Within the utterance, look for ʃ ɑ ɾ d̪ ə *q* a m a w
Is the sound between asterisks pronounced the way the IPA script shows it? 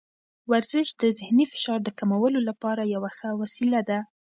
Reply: no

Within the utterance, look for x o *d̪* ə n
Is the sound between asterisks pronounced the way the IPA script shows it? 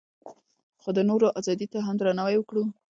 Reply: yes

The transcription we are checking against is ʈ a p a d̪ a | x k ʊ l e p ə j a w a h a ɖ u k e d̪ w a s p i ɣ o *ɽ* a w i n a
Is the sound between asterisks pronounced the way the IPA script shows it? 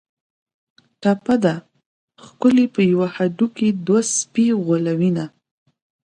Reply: no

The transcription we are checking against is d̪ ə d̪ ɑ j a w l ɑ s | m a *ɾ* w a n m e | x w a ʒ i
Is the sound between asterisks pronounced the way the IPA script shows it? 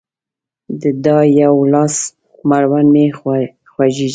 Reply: yes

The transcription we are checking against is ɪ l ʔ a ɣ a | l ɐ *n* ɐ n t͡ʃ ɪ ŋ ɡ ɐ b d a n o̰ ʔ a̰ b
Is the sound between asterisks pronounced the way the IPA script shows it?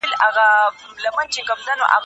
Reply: no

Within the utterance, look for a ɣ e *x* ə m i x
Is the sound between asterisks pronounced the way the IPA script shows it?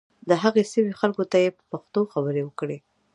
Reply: no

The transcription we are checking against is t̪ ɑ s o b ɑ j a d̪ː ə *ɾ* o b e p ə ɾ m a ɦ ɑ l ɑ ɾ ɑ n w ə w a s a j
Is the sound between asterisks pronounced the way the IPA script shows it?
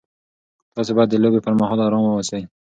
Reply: no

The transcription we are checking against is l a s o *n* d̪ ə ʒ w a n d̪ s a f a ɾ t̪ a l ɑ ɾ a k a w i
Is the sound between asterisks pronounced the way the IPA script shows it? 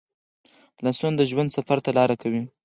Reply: yes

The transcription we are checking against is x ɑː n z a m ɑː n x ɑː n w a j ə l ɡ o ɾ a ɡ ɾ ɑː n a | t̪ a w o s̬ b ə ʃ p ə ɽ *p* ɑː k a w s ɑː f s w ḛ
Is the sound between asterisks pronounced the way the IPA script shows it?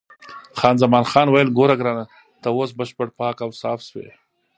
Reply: yes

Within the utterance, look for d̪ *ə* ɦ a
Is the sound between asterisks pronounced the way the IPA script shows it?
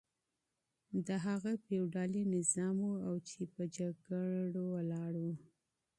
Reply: yes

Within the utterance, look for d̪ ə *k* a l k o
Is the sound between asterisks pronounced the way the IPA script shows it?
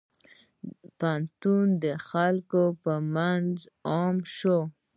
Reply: no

